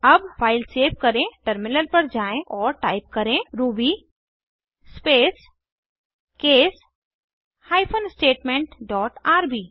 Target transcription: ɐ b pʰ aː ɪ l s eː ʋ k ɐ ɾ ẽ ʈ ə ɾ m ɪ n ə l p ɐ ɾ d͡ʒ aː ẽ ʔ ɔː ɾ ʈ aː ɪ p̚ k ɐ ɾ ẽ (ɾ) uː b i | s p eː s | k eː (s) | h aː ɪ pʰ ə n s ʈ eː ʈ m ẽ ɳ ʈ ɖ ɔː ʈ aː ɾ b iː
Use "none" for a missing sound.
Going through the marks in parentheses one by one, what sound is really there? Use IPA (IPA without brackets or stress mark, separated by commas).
ɾ, s